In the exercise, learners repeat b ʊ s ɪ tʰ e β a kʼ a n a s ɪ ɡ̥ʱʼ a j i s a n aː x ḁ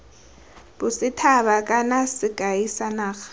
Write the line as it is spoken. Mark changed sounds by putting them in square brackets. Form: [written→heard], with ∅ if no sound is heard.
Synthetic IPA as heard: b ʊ s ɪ tʰ [e→a] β a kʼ a n a s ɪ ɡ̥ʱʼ a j i s a n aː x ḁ